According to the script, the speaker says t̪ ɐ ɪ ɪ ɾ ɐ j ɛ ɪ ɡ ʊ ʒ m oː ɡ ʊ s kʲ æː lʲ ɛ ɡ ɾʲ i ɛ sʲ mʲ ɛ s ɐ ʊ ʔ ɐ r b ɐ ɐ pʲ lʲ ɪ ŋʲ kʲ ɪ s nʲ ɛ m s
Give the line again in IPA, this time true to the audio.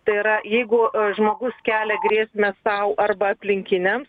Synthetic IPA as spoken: t̪ ɐ ɪ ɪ ɾ ɐ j ɛ ɪ ɡ ʊ ʒ m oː ɡ ʊ s kʲ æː lʲ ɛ ɡ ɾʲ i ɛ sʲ mʲ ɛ s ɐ ʊ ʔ ɐ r b ɐ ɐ pʲ lʲ ɪ ŋʲ kʲ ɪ nʲ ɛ m s